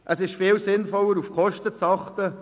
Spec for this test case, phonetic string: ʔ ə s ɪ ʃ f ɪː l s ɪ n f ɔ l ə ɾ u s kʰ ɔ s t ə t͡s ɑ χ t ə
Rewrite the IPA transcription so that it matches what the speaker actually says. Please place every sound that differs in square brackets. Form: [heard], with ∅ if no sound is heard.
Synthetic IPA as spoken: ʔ ə s ɪ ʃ f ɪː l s ɪ n f ɔ l ə ɾ u [f] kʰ ɔ [ʃ] t ə t͡s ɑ χ t ə